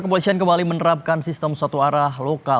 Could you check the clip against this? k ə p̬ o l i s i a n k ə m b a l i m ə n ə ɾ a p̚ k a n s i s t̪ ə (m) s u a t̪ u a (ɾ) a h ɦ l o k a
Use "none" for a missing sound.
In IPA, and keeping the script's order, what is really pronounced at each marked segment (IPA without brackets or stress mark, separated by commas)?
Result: m, ɾ